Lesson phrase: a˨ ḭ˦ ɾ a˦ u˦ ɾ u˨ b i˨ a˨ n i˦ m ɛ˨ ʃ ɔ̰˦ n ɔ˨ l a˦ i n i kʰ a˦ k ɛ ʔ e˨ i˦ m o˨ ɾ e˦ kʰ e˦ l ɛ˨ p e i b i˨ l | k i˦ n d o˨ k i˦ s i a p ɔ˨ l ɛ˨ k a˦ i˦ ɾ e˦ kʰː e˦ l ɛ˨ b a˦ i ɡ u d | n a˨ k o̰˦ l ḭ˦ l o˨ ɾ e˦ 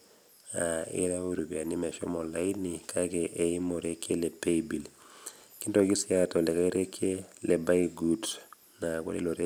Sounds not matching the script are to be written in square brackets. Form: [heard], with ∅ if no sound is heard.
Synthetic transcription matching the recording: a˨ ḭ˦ ɾ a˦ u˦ ɾ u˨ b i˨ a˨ n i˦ m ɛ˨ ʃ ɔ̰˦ [m] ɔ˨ l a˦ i n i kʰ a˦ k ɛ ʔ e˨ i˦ m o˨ ɾ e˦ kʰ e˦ l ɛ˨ p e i b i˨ l | k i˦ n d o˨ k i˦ s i a [t] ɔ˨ l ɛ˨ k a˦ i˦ ɾ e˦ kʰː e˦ l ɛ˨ b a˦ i ɡ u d | n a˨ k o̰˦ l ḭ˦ l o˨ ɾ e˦

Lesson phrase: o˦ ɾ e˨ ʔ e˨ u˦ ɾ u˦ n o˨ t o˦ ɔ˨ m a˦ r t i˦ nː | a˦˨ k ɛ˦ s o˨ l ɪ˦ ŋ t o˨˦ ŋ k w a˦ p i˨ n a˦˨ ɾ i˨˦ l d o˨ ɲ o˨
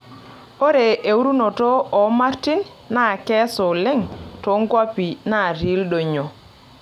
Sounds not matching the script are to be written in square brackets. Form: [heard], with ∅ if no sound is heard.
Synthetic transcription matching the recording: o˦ ɾ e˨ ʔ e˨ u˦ ɾ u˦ n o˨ t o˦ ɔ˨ m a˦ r t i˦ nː | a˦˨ k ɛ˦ s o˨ l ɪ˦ ŋ t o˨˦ ŋ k w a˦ p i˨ n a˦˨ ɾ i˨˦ l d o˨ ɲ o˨

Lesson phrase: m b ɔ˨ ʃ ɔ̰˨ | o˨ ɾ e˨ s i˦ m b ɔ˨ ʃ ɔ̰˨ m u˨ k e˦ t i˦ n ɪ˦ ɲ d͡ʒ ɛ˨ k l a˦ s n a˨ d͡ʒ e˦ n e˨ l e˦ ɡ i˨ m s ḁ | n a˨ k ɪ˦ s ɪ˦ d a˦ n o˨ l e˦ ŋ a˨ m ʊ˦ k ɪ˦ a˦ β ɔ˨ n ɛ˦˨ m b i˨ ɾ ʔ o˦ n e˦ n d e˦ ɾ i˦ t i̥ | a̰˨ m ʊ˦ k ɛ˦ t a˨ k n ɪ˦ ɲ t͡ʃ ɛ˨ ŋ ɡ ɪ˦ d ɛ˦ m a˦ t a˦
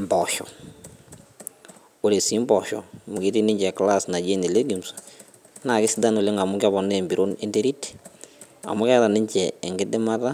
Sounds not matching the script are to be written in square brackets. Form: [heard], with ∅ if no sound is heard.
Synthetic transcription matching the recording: m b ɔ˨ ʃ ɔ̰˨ | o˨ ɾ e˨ s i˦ m b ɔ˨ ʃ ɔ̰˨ m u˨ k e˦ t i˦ n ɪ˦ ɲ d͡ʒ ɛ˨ k l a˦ s n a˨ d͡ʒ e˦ n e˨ l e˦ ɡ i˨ m s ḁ | n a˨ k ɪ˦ s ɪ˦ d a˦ n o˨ l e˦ ŋ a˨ m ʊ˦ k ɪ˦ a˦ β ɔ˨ n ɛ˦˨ m b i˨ ɾ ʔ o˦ n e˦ n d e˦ ɾ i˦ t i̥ | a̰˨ m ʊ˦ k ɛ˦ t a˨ [∅] n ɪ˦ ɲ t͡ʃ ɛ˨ ŋ ɡ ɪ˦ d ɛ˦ m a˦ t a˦

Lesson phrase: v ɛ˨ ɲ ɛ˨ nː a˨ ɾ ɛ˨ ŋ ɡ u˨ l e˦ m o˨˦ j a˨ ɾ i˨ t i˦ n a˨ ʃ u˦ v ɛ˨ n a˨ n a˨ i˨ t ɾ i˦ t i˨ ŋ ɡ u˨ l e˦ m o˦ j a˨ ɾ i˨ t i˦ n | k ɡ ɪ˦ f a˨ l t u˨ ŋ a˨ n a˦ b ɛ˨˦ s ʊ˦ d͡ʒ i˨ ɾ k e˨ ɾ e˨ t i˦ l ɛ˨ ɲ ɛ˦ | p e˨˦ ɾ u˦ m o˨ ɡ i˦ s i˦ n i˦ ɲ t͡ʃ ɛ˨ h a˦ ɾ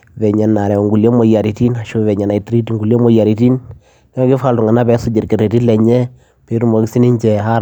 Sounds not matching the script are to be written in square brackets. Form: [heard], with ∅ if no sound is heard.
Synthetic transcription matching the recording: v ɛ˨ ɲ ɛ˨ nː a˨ ɾ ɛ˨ ŋ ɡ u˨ l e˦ m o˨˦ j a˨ ɾ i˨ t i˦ n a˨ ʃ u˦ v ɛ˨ [ɲ] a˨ n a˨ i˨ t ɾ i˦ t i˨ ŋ ɡ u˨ l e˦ m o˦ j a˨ ɾ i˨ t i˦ n | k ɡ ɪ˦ f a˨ l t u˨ ŋ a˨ n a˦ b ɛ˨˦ s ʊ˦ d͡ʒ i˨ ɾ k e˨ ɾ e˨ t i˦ l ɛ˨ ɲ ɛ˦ | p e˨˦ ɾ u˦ m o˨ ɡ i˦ s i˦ n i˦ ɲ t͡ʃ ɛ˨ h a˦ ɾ

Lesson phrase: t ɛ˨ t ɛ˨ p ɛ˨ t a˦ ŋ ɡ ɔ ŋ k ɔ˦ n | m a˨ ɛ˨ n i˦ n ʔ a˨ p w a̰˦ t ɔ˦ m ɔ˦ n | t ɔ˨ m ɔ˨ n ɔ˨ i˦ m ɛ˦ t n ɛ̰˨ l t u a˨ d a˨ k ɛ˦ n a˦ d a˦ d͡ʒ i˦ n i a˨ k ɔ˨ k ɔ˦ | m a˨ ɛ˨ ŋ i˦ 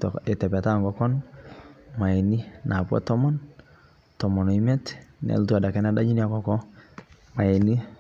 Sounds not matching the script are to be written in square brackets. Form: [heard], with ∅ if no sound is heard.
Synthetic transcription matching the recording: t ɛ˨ t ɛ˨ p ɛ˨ t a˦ ŋ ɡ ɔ [∅] k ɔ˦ n | m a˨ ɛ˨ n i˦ n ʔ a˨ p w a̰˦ t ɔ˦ m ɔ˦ n | t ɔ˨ m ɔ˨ n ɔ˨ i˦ m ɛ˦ t n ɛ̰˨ l t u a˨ d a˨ k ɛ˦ n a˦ d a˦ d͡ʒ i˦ n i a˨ k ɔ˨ k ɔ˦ | m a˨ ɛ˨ [n] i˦

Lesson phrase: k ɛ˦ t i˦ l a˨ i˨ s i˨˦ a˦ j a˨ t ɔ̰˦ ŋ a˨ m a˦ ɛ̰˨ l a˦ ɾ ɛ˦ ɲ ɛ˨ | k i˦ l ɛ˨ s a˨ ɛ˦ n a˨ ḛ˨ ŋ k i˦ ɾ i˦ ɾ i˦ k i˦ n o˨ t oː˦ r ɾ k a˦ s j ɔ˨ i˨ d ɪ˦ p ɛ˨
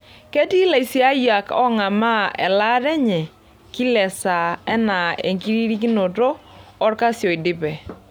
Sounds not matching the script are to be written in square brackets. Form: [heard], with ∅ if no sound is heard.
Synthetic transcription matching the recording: k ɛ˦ t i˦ l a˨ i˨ s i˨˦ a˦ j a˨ [k] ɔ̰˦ ŋ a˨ m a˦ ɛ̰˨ l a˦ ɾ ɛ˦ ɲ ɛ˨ | k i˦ l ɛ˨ s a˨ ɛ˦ n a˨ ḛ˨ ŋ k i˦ ɾ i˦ ɾ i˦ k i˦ n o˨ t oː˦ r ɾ k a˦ s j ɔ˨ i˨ d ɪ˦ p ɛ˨

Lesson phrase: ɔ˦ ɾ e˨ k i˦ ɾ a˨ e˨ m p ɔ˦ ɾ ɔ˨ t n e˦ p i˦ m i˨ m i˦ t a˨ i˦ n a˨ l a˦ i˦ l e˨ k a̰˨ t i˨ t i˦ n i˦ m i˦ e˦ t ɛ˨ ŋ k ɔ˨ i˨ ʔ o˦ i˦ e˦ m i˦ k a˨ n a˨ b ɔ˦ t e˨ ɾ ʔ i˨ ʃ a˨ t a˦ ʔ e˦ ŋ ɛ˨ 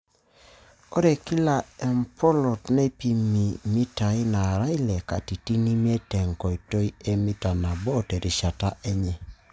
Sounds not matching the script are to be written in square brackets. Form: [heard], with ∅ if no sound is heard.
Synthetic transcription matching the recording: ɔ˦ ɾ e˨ k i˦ [l] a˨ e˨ m p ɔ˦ [l] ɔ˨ t n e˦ p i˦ m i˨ m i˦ t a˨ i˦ n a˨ [ɾ] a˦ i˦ l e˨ k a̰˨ t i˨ t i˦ n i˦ m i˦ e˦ t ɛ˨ ŋ k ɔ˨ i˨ [t] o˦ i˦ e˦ m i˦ [t] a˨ n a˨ b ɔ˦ t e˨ ɾ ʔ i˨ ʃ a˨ t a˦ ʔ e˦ [ɲ] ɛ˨

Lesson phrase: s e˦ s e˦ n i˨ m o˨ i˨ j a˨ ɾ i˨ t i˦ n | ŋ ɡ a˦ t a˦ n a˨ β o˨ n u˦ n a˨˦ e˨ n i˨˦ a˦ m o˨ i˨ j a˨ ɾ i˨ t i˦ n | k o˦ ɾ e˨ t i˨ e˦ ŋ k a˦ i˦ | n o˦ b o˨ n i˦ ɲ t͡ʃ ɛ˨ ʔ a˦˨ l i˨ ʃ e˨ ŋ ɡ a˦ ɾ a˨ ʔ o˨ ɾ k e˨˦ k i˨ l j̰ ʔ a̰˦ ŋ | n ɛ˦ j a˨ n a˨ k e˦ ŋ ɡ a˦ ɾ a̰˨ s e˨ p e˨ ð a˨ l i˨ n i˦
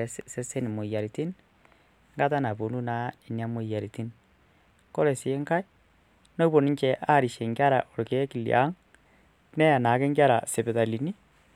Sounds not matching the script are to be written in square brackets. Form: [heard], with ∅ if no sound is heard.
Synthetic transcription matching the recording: s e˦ s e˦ n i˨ m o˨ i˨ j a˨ ɾ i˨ t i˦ n | ŋ ɡ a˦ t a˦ n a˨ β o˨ n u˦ n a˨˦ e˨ n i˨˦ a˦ m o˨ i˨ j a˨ ɾ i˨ t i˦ n | k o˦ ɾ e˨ [s] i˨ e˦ ŋ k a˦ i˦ | n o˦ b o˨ n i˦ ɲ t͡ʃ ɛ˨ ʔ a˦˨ [ɾ] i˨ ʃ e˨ ŋ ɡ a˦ ɾ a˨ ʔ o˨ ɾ k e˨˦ k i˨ l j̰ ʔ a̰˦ ŋ | n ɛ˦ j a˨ n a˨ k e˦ ŋ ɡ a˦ ɾ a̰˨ s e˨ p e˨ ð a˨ l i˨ n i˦

